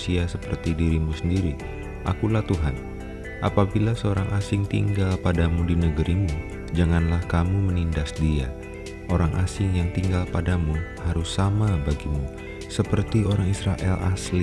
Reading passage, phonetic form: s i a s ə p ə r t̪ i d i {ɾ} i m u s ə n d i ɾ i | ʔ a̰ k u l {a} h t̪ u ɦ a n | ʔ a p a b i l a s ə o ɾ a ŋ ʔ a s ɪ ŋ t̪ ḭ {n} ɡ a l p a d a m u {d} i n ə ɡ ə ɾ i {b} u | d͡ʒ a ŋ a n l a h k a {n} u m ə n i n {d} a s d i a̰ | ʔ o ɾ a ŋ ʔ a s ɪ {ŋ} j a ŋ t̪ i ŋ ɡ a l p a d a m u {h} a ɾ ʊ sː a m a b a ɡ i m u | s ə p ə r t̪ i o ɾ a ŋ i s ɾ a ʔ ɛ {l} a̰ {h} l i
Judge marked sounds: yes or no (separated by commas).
yes, yes, no, yes, no, no, yes, yes, yes, yes, no